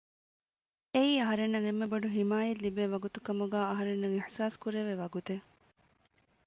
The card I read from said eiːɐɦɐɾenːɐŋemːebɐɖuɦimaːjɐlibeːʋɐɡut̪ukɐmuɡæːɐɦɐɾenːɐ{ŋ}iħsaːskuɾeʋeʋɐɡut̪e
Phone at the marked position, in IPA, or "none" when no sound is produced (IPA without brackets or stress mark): ŋ